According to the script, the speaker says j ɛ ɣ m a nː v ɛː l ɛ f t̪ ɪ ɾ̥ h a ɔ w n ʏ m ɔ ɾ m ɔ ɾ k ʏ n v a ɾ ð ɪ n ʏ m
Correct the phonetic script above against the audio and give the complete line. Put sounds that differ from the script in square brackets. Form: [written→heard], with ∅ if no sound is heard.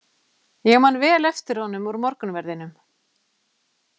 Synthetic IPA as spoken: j ɛ ɣ m a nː v ɛː l ɛ f t̪ ɪ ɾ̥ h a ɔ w n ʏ m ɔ ɾ m ɔ ɾ k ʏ n v [a→ɛ] ɾ ð ɪ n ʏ m